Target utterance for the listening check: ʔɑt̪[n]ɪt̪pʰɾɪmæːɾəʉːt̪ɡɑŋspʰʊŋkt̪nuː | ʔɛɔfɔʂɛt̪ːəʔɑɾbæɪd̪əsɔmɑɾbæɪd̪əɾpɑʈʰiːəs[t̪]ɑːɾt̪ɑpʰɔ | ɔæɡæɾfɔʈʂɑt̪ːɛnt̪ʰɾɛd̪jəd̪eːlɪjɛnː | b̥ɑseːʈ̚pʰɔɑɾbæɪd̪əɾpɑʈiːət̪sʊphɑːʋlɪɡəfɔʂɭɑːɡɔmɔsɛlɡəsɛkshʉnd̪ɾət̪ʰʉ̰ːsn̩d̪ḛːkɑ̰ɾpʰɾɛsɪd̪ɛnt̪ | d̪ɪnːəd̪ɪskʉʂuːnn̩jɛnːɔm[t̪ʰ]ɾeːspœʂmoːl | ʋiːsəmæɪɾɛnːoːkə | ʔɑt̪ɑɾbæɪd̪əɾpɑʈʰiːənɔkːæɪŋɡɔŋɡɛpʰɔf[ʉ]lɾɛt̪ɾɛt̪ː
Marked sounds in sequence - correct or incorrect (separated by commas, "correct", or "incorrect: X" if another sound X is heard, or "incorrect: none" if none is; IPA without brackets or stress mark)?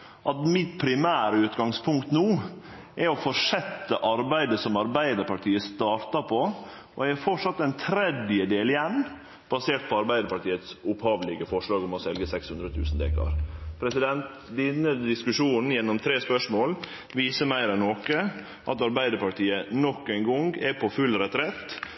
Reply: incorrect: m, correct, correct, correct